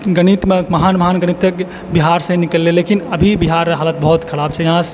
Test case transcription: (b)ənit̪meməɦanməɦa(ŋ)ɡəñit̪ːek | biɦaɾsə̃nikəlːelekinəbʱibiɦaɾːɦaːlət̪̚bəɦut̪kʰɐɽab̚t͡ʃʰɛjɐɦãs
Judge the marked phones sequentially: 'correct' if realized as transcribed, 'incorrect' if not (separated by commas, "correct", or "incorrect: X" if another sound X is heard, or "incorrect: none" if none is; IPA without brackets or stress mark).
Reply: incorrect: ɡ, incorrect: n